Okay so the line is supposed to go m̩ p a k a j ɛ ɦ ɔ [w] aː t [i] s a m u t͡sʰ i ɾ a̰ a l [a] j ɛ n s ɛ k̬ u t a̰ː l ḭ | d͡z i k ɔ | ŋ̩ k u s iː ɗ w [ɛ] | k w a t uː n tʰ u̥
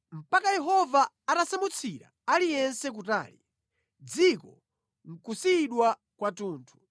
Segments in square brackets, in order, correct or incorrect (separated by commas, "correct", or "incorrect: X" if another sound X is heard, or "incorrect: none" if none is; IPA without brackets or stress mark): incorrect: v, incorrect: a, incorrect: i, incorrect: a